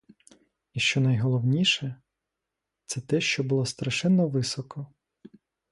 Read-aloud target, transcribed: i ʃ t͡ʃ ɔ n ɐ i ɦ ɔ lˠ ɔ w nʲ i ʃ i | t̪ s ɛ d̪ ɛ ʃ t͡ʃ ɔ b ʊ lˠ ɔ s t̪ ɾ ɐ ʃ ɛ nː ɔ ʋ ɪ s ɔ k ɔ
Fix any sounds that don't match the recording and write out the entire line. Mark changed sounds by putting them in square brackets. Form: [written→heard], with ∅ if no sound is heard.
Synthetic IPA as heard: i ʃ t͡ʃ ɔ n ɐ [i→j] ɦ ɔ lˠ ɔ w nʲ i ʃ [i→ɛ] | t̪ s ɛ [d̪→t̪] ɛ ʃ t͡ʃ ɔ b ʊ lˠ ɔ s t̪ ɾ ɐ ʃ ɛ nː ɔ ʋ ɪ s ɔ k ɔ